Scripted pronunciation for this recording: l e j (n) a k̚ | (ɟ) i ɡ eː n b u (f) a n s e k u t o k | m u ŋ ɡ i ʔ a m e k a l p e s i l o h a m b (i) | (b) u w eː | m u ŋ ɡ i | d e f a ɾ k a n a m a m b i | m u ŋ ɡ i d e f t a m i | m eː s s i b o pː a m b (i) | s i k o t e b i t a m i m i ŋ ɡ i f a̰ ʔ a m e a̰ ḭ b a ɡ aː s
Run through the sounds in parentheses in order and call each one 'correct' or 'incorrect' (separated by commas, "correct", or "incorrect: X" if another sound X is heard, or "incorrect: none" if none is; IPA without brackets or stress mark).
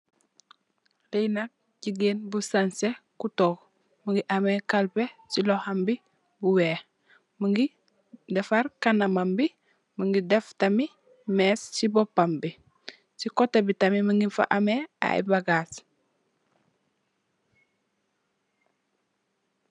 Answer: correct, correct, incorrect: s, correct, correct, correct